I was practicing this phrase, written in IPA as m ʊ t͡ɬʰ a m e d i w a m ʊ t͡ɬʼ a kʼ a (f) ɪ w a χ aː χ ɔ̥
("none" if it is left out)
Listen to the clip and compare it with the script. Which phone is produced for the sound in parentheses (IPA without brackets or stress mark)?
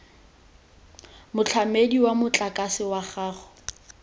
s